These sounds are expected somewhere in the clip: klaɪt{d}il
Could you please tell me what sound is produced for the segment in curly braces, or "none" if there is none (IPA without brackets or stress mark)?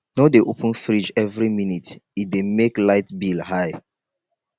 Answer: b